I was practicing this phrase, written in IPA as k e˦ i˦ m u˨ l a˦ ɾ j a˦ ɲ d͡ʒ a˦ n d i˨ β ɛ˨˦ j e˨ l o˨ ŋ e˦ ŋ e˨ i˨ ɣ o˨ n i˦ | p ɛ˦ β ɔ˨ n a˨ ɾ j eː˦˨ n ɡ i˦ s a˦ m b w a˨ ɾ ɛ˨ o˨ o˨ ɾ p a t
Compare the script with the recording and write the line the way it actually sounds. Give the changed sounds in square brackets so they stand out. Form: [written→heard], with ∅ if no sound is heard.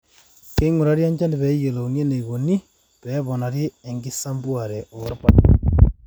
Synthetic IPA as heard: k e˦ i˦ [m→ŋ] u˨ [l→ɾ] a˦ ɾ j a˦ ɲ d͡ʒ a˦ n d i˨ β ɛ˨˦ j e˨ l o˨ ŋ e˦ [ŋ→n] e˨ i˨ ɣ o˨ n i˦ | p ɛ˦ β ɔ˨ n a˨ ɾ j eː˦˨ [n→ŋ] ɡ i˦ s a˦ m b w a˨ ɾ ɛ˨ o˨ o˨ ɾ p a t